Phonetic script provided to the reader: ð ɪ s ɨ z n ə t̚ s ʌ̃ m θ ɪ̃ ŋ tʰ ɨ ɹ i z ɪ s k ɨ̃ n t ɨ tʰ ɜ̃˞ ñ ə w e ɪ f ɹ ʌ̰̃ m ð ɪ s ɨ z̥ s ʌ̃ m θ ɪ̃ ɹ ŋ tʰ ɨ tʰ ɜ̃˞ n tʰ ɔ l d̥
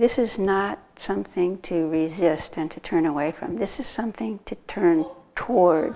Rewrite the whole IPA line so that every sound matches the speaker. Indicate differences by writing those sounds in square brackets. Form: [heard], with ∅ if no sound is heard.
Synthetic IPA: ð ɪ s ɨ z n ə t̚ s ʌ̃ m θ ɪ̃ ŋ tʰ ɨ ɹ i z ɪ s [t] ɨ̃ n [tʰ] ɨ tʰ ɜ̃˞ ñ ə w e ɪ f ɹ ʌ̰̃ m ð ɪ s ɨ z̥ s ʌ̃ m θ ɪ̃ [∅] ŋ tʰ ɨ tʰ ɜ̃˞ n tʰ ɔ [ɹ] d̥